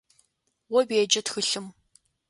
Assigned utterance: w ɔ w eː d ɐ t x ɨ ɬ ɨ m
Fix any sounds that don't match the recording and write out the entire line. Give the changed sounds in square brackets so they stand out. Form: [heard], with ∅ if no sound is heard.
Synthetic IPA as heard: w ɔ [b] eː [d͡ʒ] ɐ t x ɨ ɬ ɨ m